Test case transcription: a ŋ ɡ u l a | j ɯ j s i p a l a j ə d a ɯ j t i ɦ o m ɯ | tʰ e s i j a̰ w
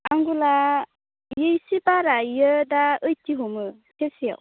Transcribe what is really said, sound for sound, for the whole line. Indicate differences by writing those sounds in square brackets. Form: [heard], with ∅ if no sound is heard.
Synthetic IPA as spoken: a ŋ ɡ u l a | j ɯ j s i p a [ɾ] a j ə d a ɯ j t i ɦ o m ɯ | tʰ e s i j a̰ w